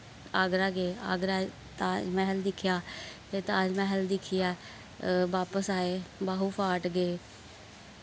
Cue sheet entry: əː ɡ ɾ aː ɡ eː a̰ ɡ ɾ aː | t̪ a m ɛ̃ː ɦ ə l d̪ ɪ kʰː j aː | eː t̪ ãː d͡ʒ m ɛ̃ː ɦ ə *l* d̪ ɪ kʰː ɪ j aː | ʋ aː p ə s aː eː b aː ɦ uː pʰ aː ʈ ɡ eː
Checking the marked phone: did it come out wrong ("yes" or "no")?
no